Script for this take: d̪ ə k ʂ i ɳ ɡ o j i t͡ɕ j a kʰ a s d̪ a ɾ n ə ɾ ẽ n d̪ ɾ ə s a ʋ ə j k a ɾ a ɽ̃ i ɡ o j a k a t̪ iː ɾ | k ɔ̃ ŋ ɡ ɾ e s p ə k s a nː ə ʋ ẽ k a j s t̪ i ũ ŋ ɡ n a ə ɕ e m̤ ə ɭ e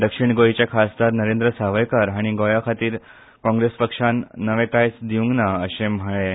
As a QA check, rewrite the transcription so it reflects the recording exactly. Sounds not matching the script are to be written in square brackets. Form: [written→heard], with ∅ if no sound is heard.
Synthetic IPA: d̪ ə k ʂ i ɳ ɡ o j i t͡ɕ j a kʰ a s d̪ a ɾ n ə ɾ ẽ n d̪ ɾ ə s a ʋ ə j k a ɾ a ɽ̃ i ɡ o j a [k→kʰ] a t̪ iː ɾ | k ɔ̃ ŋ ɡ ɾ e s p ə k [s→ʂ] a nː ə ʋ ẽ k a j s [t̪→d̪] i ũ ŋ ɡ n a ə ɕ e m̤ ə ɭ e